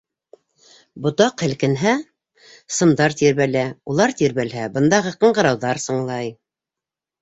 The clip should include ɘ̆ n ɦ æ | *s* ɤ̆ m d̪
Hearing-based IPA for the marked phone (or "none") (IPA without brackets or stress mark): s